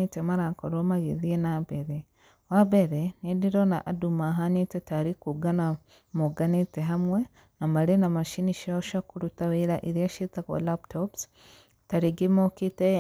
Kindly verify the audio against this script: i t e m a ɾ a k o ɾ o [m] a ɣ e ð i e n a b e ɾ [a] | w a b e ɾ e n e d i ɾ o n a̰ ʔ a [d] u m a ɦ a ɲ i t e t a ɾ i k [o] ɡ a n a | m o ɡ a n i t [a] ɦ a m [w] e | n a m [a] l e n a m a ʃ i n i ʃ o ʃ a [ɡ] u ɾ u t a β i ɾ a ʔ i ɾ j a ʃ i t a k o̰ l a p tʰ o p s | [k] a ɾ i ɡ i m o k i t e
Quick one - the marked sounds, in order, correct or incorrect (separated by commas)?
correct, incorrect, correct, incorrect, incorrect, correct, correct, incorrect, incorrect